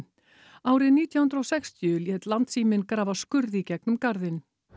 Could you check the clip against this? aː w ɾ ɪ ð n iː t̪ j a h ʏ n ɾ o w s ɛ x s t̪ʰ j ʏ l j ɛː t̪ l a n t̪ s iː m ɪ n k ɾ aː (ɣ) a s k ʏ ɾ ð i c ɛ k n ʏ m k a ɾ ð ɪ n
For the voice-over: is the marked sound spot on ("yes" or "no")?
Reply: no